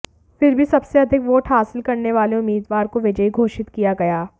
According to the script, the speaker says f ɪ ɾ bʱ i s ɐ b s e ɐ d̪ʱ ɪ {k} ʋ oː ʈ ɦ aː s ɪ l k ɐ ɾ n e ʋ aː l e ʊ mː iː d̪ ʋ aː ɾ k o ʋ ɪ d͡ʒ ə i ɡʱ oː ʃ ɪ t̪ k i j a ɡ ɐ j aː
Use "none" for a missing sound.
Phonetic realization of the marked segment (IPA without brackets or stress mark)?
k